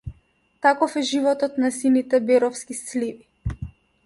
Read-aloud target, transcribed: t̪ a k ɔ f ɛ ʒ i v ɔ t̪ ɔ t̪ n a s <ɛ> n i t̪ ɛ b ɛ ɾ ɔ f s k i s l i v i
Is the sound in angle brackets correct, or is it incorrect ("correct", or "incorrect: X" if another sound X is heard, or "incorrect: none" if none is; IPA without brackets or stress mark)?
incorrect: i